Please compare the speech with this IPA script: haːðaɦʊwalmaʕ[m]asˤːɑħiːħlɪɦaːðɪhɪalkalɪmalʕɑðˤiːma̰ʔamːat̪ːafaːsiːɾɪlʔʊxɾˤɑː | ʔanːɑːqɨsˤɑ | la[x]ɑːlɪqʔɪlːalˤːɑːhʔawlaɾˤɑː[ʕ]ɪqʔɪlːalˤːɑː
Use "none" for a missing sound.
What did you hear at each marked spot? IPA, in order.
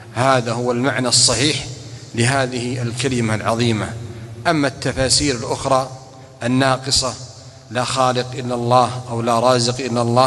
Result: n, x, z

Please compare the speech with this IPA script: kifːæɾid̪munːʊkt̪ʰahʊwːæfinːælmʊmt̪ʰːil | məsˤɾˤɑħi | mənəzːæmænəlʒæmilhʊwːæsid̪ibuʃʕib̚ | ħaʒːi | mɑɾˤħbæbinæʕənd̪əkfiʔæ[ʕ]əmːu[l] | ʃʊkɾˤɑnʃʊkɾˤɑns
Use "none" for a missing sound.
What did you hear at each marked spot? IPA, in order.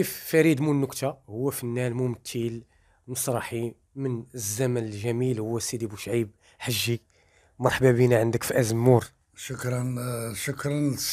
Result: z, ɾ

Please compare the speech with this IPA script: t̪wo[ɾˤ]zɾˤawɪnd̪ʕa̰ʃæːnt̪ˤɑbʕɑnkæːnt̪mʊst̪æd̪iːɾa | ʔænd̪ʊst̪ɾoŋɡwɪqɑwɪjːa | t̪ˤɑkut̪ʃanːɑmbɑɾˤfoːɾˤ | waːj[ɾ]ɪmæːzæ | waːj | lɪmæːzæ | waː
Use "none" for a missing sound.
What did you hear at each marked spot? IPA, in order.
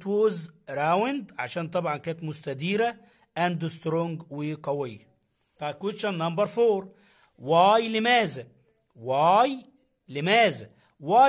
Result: none, l

